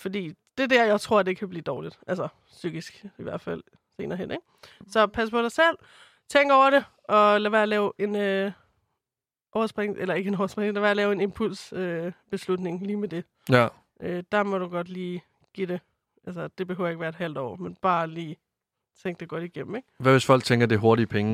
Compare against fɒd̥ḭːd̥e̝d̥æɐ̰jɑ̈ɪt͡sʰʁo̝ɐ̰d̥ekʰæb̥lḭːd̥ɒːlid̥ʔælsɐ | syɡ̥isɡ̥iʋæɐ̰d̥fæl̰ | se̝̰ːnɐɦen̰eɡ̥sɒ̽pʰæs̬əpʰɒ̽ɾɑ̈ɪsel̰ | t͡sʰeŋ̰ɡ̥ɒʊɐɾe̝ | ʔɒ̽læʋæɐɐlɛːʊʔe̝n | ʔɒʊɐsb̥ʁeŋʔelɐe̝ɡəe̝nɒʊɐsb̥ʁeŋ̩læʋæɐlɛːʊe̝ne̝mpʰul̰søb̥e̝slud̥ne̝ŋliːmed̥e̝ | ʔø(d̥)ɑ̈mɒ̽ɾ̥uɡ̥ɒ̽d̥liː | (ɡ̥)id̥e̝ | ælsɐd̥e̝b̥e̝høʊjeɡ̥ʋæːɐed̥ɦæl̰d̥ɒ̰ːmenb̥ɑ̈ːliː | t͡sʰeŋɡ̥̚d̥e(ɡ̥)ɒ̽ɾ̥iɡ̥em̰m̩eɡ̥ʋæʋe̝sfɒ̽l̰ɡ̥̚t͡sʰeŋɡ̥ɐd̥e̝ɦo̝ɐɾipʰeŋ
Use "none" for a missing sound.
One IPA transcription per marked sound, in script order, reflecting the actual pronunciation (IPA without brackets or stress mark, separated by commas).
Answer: d̥, ɡ̥, ɡ̥